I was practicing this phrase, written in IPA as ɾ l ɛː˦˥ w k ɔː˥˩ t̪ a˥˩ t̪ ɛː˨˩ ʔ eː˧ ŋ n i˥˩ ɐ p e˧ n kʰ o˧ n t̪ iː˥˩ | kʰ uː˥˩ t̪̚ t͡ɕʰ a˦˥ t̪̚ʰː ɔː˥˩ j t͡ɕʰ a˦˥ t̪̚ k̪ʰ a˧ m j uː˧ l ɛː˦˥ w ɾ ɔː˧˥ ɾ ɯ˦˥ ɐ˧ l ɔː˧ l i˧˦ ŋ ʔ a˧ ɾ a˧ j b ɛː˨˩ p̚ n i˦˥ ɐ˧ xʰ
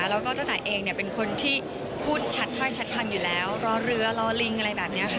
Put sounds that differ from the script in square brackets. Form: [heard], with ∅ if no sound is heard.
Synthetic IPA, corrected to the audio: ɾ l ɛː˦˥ w k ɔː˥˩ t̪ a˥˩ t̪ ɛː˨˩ ʔ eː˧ ŋ n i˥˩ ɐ p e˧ n kʰ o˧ n [t̪ʰ] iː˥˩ | [pʰ] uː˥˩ t̪̚ t͡ɕʰ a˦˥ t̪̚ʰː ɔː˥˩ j t͡ɕʰ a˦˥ t̪̚ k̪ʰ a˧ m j [uː˨˩] l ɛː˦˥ w ɾ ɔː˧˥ ɾ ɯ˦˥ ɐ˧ l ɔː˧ l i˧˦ ŋ ʔ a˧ ɾ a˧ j b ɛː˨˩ p̚ n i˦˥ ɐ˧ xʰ